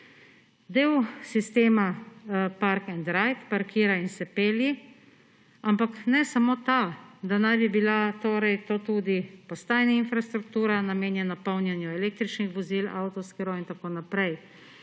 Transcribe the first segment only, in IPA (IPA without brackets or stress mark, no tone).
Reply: d̪